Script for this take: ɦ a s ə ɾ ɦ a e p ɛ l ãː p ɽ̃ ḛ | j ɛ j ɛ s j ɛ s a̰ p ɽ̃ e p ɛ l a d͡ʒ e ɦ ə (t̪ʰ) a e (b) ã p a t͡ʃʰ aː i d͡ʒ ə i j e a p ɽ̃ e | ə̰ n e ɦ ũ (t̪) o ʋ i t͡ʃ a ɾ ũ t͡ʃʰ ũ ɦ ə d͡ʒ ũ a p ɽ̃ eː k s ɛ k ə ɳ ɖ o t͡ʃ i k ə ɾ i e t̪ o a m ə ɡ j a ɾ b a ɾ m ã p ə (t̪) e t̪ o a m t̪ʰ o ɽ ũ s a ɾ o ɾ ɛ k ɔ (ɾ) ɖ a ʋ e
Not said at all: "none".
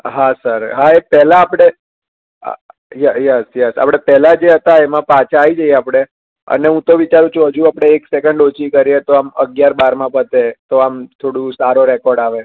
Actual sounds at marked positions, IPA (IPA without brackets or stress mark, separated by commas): t̪, m, t̪, t̪, ɾ